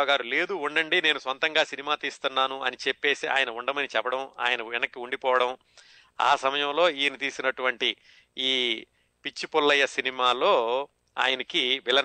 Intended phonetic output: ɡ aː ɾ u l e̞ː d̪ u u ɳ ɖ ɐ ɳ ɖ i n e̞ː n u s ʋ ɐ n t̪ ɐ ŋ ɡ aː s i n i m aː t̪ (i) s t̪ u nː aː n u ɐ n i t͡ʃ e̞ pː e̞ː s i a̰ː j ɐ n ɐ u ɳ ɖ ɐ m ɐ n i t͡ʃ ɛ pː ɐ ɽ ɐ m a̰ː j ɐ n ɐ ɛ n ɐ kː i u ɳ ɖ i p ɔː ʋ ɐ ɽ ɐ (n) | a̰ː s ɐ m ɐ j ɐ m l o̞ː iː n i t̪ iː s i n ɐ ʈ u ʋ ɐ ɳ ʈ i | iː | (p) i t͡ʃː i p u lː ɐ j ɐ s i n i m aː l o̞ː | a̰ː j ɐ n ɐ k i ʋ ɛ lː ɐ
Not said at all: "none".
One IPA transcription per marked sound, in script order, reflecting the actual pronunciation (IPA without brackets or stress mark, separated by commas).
iː, m, p